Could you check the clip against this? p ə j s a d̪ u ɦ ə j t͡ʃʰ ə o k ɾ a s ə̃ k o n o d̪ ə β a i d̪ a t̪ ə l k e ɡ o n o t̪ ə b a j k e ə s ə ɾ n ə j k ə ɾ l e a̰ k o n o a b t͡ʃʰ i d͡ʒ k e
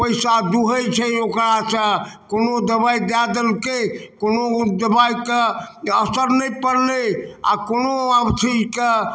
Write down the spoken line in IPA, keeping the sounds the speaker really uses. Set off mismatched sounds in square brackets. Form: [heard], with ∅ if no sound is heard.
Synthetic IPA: p ə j s a d̪ u ɦ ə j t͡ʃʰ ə o k ɾ a s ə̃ k o n o d̪ ə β a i d̪ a [d̪] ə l k e [k] o n o [d̪] ə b a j k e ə s ə ɾ n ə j [p] ə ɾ l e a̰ k o n o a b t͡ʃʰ i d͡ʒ k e